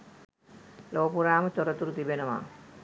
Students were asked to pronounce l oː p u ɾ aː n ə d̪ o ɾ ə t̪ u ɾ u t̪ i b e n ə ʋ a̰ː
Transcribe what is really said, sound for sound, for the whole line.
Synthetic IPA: l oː p u ɾ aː m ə t̪ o ɾ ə t̪ u ɾ u t̪ i b e n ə ʋ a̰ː